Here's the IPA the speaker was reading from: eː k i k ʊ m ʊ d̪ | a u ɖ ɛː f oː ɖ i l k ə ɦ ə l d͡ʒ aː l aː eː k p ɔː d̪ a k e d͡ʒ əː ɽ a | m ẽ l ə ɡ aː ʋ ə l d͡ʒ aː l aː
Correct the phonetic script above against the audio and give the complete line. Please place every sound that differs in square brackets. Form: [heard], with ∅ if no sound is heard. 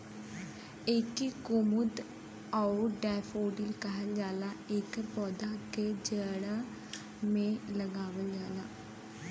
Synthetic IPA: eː k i k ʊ m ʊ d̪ | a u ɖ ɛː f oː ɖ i l k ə ɦ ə l d͡ʒ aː l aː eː k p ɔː d̪ a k e d͡ʒ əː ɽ a | m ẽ l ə ɡ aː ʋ ə l d͡ʒ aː l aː

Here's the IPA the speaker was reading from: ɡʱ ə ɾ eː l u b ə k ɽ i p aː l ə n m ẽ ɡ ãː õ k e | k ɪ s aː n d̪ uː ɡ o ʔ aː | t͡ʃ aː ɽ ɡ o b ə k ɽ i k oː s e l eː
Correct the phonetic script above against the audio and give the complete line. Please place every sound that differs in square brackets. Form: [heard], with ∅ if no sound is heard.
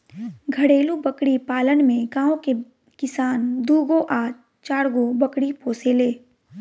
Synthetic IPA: ɡʱ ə [ɽ] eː l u b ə k ɽ i p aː l ə n m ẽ ɡ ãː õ k e | k ɪ s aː n d̪ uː ɡ o ʔ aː | t͡ʃ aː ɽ ɡ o b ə k ɽ i [p] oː s e l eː

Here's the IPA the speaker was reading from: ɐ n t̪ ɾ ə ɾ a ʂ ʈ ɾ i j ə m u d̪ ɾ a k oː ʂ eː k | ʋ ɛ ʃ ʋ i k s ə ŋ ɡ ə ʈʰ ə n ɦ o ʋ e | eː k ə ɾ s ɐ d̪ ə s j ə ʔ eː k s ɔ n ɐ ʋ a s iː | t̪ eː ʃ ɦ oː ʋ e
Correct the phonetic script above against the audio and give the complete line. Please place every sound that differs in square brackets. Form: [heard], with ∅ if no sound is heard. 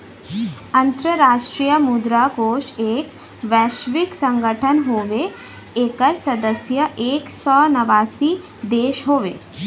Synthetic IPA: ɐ n t̪ ɾ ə ɾ a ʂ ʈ ɾ i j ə m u d̪ ɾ a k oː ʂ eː k | ʋ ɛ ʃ ʋ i k s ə ŋ ɡ ə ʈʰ ə n ɦ o ʋ e | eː k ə ɾ s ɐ d̪ ə s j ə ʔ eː k s ɔ n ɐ ʋ a s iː | [d̪] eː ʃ ɦ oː ʋ e

